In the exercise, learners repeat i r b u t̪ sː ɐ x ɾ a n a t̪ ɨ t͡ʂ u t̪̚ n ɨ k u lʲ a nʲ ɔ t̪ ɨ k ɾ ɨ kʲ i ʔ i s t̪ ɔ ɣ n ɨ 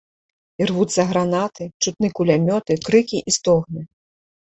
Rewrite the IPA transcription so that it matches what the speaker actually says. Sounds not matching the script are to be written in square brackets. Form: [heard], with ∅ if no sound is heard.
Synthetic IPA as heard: i r [v] u t̪ sː ɐ [ɣ] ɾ a n a t̪ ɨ t͡ʂ u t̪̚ n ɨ k u lʲ a [mʲ] ɔ t̪ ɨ k ɾ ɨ kʲ i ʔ i s t̪ ɔ ɣ n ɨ